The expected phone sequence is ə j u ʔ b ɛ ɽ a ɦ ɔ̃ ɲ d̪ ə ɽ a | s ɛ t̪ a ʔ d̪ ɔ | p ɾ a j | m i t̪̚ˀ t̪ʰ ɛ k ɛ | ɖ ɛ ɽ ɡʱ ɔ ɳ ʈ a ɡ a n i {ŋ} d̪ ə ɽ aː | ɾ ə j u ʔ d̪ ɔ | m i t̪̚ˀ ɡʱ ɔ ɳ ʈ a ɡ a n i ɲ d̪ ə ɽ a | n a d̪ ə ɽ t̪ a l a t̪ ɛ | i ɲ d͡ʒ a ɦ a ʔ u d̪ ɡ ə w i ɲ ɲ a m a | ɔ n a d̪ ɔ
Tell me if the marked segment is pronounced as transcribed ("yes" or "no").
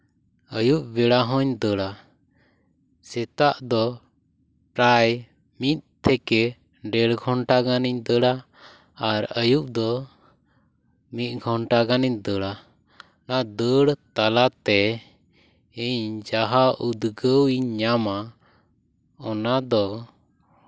no